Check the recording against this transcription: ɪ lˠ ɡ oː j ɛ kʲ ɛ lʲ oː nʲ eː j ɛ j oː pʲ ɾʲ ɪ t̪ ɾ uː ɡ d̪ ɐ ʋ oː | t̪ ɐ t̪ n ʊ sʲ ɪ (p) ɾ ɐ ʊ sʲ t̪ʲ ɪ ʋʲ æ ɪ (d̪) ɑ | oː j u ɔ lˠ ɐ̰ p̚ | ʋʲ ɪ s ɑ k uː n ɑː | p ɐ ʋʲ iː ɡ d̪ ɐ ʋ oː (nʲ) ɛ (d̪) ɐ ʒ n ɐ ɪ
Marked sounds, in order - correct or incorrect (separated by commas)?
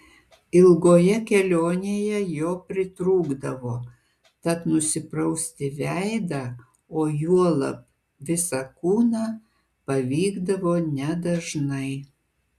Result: correct, correct, correct, correct